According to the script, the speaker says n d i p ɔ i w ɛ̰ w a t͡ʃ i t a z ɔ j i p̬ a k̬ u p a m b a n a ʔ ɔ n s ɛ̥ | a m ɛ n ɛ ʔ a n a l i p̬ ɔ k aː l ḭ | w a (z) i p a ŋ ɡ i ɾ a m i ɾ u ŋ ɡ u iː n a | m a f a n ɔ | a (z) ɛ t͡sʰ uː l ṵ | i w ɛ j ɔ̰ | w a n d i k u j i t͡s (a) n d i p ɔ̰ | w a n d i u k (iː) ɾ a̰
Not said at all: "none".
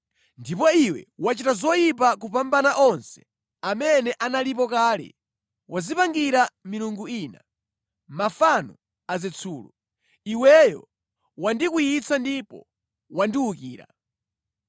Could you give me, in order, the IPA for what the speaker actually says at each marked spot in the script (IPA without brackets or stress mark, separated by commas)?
z, z, a, iː